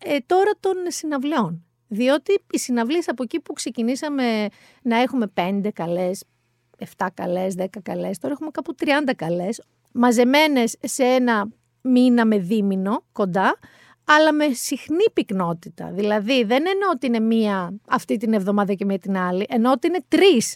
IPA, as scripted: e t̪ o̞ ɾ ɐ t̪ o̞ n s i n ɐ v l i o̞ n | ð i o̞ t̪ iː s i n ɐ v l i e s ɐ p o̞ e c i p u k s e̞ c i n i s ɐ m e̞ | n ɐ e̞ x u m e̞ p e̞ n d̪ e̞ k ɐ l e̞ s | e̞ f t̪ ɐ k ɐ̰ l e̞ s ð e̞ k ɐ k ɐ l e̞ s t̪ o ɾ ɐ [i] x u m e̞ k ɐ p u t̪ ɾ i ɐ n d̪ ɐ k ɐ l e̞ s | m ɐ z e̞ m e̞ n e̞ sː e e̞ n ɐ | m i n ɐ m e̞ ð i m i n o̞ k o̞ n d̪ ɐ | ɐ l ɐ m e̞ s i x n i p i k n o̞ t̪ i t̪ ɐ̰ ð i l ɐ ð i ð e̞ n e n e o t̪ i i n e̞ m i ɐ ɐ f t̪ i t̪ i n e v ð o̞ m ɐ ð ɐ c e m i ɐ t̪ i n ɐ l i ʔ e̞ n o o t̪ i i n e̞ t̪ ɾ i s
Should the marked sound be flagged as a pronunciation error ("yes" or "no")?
yes